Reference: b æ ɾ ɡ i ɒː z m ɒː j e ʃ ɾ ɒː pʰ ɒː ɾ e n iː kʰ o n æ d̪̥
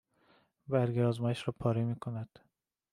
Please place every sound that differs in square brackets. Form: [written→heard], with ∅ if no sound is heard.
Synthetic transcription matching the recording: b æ ɾ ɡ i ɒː z m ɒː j e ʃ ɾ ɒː pʰ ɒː ɾ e [n→m] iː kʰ o n æ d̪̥